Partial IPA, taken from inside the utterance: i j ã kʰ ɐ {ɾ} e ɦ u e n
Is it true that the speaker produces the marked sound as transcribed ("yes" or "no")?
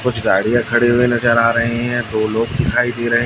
no